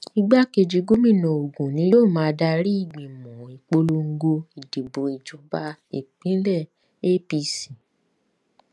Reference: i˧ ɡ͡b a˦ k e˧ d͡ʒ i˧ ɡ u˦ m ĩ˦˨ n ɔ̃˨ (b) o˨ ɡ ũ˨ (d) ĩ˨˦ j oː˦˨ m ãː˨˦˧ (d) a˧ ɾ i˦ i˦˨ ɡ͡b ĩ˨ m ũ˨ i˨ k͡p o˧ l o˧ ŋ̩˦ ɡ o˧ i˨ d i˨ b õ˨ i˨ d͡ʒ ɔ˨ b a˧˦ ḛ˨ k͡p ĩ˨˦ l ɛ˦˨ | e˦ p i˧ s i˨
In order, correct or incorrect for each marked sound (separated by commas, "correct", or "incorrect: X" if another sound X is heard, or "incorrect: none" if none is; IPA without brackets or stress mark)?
incorrect: none, incorrect: n, correct